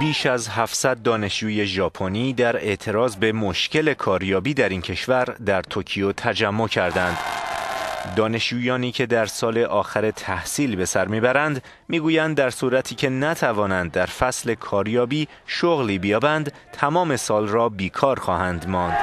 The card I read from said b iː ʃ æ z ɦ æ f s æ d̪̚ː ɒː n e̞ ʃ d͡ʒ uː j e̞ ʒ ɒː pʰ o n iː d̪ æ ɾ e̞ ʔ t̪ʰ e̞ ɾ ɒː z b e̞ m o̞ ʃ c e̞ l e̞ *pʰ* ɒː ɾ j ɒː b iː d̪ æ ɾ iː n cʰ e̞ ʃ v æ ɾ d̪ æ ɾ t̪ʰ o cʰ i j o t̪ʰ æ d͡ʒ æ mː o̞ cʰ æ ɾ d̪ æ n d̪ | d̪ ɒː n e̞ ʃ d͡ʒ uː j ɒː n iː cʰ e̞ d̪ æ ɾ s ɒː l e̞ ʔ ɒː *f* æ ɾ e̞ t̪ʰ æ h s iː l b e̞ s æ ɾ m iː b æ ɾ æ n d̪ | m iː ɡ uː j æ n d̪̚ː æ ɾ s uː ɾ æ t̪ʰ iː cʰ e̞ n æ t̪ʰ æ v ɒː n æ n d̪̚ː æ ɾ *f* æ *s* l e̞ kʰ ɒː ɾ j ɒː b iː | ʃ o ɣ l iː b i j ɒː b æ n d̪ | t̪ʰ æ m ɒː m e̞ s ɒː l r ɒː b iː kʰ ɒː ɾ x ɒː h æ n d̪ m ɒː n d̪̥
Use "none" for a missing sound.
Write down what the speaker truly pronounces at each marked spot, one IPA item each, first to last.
kʰ, x, f, s

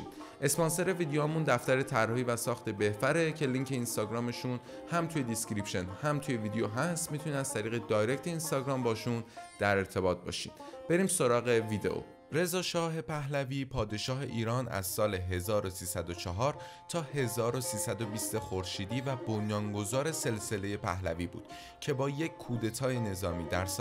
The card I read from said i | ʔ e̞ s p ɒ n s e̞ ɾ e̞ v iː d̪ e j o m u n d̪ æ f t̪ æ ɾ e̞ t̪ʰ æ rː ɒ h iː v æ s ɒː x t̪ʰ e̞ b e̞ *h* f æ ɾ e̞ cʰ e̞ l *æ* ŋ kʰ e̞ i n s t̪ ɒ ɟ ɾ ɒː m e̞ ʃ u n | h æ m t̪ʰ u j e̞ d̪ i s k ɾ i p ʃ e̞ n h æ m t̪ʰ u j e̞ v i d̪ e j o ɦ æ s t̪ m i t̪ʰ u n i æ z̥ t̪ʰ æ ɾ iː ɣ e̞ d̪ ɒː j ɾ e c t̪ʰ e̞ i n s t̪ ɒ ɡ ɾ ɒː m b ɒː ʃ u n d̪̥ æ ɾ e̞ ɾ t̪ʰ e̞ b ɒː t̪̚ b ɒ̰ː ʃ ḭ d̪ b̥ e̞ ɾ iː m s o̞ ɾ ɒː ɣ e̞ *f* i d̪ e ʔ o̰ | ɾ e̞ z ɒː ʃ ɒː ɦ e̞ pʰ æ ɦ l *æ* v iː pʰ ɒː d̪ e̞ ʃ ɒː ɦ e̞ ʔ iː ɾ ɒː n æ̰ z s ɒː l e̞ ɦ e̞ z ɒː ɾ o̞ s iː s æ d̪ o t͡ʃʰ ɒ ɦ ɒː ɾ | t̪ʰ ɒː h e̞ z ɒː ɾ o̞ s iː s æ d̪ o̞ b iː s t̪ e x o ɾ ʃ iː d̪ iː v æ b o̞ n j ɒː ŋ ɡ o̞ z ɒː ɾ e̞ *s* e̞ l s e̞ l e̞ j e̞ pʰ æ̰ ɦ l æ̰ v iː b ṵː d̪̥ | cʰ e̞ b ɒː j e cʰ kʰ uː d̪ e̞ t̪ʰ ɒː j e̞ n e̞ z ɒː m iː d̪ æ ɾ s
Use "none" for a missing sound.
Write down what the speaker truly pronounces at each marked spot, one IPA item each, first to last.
h, i, v, æ, s

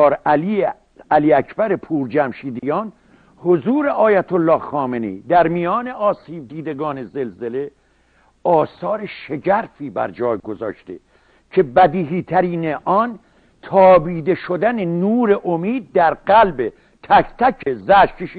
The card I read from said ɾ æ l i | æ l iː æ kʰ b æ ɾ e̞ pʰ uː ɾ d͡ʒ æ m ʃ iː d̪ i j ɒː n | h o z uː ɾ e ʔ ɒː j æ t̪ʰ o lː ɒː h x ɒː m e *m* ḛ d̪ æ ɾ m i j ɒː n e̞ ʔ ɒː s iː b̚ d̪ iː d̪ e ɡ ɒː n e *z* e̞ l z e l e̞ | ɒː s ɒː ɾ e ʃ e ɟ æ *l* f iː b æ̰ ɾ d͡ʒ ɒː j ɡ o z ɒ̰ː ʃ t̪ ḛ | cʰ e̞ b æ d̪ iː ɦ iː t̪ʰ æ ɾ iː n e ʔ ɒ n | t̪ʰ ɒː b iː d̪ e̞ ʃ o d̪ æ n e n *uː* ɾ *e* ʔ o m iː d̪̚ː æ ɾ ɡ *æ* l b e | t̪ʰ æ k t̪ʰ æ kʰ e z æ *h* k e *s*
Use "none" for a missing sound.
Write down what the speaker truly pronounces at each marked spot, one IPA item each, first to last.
n, z, ɾ, uː, e, æ, ʃ, ʃ

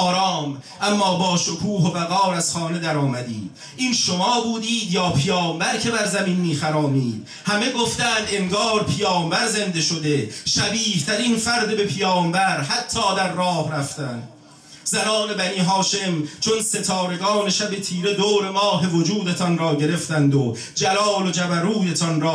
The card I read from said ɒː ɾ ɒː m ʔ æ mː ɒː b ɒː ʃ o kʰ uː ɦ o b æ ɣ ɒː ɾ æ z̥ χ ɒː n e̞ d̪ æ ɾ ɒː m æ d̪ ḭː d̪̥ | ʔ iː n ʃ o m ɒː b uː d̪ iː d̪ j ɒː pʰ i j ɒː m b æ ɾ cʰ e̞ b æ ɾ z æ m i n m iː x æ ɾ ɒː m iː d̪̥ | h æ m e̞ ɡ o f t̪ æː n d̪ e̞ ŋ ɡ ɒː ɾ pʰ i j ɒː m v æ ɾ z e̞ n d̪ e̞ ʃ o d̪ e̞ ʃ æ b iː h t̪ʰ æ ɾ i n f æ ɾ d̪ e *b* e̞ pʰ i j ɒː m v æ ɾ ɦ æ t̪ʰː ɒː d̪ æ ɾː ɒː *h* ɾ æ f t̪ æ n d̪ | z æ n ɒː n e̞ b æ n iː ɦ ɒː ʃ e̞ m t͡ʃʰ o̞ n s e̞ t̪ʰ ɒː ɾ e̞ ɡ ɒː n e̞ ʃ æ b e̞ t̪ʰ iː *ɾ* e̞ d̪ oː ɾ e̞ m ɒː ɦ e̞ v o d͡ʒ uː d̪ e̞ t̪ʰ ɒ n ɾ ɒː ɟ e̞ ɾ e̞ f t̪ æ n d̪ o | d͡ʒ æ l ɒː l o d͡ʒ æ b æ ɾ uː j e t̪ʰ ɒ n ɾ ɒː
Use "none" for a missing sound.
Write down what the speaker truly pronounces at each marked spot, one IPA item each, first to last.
b, h, ɾ

